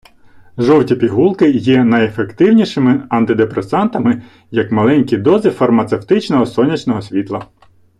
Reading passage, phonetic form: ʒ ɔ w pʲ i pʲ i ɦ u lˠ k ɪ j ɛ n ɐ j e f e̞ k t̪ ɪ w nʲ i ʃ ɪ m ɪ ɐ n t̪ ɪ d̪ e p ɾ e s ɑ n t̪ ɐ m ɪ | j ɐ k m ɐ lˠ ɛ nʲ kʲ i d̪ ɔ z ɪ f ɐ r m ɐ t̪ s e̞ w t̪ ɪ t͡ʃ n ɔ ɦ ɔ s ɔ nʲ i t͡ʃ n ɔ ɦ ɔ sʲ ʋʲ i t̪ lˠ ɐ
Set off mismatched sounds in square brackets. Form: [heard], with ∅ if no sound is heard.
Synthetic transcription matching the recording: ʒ ɔ w [tʲ] i pʲ i ɦ u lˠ k ɪ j ɛ n ɐ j e f e̞ k t̪ ɪ w nʲ i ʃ ɪ m ɪ ɐ n t̪ ɪ d̪ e p ɾ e s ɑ n t̪ ɐ m ɪ | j ɐ k m ɐ lˠ ɛ nʲ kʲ i d̪ ɔ z ɪ f ɐ r m ɐ t̪ s e̞ w t̪ ɪ t͡ʃ n ɔ ɦ ɔ s ɔ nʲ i t͡ʃ n ɔ ɦ ɔ sʲ ʋʲ i t̪ lˠ ɐ